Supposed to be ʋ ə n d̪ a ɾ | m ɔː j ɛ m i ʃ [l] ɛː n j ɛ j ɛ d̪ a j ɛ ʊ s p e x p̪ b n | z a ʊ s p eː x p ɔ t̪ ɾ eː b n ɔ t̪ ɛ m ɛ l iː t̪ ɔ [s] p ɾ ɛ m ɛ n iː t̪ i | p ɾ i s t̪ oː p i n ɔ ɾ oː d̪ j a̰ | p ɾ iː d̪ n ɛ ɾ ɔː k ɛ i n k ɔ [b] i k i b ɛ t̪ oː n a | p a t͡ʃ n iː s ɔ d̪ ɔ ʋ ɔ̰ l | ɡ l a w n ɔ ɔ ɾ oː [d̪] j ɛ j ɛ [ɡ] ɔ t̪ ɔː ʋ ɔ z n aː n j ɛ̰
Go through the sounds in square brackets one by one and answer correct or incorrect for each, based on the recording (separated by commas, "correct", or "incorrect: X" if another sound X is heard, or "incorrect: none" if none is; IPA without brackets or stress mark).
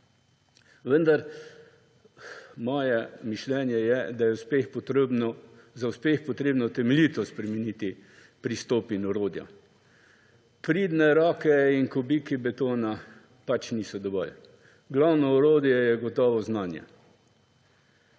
correct, correct, correct, correct, correct